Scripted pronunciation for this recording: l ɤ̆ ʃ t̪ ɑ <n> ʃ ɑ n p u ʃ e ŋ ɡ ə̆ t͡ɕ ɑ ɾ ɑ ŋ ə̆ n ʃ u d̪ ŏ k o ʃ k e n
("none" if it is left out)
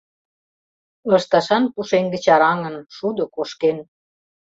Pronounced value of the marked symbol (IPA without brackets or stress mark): none